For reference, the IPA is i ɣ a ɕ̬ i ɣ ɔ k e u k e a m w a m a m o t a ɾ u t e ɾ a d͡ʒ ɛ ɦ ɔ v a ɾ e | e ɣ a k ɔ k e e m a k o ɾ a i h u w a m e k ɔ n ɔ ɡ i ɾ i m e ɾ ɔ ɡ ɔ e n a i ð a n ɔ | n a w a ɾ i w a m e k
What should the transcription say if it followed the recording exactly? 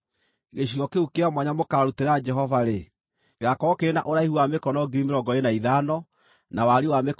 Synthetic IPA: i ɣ e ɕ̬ i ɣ ɔ k e u k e a m w a ɲ a m o k a ɾ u t e ɾ a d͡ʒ ɛ ɦ ɔ v a ɾ e | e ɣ a k ɔ k e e n a ʔ o ɾ a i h u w a m e k ɔ n ɔ ɡ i ɾ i m e ɾ ɔ ɡ ɔ e n a i ð a n ɔ | n a w a ɾ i w a m e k